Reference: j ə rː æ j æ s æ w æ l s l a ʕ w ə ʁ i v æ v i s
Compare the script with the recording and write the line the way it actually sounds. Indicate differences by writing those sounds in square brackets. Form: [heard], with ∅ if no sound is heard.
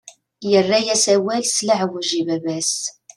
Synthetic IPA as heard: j ə rː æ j æ s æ w æ l s l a ʕ w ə [ʒ] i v æ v [æ] s